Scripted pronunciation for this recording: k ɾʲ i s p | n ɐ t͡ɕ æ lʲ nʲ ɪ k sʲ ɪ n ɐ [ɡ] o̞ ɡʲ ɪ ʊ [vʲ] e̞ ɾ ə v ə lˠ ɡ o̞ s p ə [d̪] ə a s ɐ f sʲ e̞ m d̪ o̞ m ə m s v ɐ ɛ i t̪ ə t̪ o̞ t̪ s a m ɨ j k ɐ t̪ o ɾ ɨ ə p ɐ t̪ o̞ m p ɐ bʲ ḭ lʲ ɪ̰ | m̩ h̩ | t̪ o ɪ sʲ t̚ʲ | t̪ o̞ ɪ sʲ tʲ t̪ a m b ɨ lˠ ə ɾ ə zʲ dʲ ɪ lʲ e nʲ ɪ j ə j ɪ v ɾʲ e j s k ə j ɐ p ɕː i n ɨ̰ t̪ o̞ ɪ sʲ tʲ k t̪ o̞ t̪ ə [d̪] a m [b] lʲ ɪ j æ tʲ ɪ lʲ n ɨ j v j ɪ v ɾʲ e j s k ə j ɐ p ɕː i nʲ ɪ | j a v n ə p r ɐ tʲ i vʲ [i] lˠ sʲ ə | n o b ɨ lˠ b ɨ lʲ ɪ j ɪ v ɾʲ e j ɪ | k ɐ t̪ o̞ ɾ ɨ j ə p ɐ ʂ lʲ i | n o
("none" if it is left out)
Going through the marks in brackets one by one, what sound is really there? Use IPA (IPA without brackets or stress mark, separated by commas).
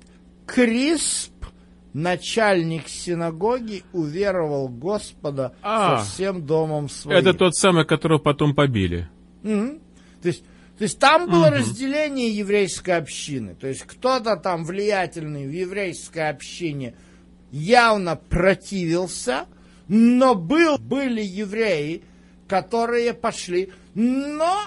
ɡ, vʲ, d̪, t̪, v, ɪ